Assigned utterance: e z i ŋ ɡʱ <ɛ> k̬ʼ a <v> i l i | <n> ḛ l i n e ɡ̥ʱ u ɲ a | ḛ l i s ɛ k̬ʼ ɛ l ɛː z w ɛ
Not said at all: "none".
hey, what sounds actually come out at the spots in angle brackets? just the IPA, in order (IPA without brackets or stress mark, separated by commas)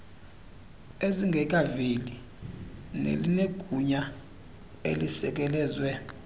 ɛ, v, n